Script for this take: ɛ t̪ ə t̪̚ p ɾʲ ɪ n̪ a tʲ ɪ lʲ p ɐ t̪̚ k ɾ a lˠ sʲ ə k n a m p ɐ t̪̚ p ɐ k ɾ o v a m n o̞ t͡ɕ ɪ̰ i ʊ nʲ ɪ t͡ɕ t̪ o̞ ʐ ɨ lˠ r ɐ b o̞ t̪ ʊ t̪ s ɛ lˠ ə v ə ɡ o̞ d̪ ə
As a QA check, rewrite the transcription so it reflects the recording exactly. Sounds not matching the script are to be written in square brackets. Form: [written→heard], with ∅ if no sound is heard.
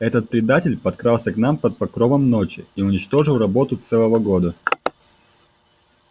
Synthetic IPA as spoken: ɛ t̪ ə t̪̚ p ɾʲ ɪ [n̪→d̪] a tʲ ɪ lʲ p ɐ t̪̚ k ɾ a lˠ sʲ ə k n a m p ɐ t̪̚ p ɐ k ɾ o v [a→ə] m n o̞ t͡ɕ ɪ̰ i ʊ nʲ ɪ t͡ɕ t̪ o̞ ʐ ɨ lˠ r ɐ b o̞ t̪ ʊ t̪ s ɛ lˠ ə v ə ɡ o̞ d̪ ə